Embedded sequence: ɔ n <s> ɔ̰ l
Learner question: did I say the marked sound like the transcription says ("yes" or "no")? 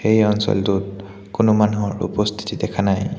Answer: yes